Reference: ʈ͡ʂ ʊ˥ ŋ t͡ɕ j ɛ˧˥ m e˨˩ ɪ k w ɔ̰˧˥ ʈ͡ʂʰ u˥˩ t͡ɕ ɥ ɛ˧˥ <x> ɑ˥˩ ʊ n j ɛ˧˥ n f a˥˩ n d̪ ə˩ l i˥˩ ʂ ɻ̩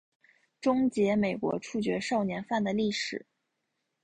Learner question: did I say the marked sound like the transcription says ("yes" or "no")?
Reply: no